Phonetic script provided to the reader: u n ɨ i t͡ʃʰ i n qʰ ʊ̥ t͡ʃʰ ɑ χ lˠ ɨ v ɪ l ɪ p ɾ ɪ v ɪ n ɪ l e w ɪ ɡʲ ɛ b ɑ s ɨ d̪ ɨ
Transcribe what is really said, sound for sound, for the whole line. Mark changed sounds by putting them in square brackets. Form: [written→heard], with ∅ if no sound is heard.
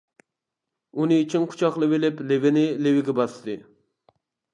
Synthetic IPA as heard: u n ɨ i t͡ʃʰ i n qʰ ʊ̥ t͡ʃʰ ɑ χ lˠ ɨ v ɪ l ɪ p [ɾ→l] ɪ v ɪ n ɪ l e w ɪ ɡʲ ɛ b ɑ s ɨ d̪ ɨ